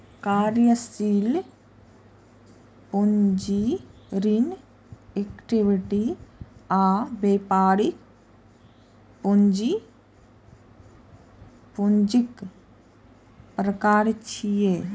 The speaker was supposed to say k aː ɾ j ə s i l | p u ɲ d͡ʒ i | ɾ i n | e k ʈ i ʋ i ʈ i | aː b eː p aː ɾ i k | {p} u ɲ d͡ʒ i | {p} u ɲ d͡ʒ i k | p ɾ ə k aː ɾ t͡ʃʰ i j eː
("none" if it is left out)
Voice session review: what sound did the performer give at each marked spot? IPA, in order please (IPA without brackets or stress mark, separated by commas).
p, p